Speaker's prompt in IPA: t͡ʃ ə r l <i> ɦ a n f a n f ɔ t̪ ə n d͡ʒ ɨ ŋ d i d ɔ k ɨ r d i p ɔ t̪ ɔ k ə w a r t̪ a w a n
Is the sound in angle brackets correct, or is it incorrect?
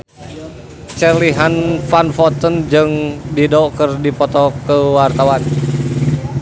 correct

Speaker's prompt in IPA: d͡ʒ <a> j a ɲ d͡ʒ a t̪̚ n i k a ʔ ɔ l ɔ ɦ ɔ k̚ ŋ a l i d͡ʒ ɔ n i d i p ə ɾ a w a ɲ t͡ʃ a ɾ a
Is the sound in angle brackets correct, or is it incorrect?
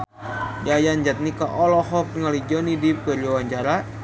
correct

